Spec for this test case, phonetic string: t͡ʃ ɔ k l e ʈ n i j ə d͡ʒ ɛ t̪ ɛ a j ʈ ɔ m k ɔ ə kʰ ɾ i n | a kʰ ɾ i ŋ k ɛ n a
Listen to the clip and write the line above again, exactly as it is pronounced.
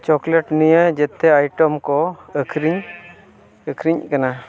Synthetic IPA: t͡ʃ ɔ k l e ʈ n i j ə d͡ʒ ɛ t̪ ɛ a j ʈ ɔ m k ɔ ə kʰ ɾ i ɲ | ə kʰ ɾ i ɲ k a n a

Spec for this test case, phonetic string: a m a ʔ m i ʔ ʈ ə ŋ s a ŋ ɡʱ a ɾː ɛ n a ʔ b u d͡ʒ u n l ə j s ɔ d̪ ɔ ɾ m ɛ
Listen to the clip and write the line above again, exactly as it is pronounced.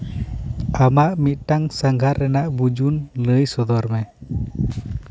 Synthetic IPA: a m a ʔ m i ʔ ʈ a ŋ s a ŋ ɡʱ a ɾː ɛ n a ʔ b u d͡ʒ u n l ə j s ɔ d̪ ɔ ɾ m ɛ

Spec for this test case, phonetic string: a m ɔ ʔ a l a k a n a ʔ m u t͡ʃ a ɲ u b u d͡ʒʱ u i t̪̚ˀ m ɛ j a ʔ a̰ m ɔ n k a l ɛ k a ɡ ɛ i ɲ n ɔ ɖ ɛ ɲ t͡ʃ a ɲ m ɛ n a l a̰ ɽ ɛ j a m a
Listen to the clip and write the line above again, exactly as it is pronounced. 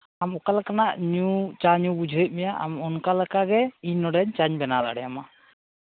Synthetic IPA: a m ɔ k a l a k a n a ʔ ɲ u t͡ʃ a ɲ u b u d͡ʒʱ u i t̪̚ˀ m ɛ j a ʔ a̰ m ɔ n k a l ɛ k a ɡ ɛ i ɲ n ɔ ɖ ɛ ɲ t͡ʃ a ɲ b ɛ n a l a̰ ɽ ɛ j a m a

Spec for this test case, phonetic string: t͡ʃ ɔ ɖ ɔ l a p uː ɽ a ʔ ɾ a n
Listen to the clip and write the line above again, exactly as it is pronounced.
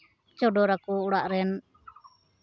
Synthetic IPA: t͡ʃ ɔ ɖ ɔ ɾ a k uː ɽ a ʔ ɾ ɛ n

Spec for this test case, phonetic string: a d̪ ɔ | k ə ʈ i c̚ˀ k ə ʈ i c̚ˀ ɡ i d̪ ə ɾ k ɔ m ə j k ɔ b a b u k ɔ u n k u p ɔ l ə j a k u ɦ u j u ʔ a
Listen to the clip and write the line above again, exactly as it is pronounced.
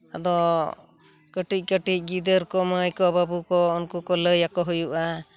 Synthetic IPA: a d̪ ɔ | k ə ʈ i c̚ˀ k ə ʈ i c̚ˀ ɡ i d̪ ə ɾ k ɔ m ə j k ɔ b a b u k ɔ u n k u k ɔ l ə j a k ɔ ɦ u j u ʔ a

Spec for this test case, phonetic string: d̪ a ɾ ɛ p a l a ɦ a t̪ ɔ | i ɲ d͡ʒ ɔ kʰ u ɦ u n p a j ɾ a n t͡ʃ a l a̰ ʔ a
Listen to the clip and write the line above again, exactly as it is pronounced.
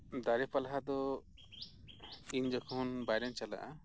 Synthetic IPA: d̪ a ɾ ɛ p a l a ɦ a d̪ ɔ | i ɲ d͡ʒ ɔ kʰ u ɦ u n b a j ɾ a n t͡ʃ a l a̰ ʔ a

